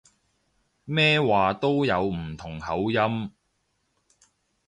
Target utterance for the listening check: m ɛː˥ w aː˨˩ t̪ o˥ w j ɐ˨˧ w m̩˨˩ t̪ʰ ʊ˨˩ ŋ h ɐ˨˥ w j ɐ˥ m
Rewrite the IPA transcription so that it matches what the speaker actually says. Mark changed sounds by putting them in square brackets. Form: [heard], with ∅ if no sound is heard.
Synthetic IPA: m ɛː˥ w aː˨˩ t̪ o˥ w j ɐ˨˧ w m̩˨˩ t̪ʰ ʊ˨˩ ŋ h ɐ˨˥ w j ɐ˥ m